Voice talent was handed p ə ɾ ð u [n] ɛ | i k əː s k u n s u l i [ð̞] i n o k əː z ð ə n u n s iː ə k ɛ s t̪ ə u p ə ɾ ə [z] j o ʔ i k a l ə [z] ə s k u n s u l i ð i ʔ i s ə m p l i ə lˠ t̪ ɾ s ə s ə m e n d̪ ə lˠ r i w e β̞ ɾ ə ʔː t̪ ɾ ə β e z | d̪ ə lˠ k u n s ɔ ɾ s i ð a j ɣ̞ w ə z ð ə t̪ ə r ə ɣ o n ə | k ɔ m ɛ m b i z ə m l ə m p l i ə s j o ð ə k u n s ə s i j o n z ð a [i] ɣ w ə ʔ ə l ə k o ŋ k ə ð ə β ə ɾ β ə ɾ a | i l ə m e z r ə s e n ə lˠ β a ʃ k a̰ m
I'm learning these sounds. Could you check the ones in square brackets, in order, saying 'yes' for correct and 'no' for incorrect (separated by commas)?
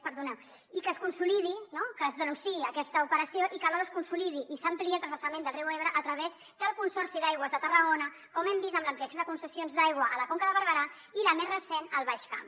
yes, yes, no, no, no